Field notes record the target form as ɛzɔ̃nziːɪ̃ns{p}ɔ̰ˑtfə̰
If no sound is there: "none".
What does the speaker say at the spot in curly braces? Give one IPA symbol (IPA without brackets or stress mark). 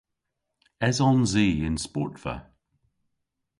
p